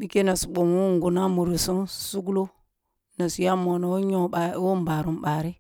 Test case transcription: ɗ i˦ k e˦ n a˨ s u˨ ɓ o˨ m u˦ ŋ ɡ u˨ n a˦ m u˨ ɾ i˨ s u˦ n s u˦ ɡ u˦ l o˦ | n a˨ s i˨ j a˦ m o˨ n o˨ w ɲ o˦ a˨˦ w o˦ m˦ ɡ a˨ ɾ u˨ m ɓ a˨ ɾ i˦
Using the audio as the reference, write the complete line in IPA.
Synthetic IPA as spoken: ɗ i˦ k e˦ n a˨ s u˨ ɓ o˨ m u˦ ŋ ɡ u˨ n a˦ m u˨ ɾ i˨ s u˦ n s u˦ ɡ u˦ l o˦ | n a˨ s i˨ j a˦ m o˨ n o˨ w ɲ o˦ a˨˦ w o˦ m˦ b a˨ ɾ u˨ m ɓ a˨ ɾ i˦